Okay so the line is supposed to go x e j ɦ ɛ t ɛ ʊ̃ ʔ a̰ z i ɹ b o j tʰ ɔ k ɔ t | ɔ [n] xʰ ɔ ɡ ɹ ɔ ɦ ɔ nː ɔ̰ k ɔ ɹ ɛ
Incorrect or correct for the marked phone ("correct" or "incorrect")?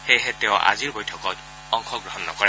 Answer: incorrect